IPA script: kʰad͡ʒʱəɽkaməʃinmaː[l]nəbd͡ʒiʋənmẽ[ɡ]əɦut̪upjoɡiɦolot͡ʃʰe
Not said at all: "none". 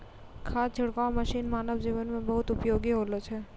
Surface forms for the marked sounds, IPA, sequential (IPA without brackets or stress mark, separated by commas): none, b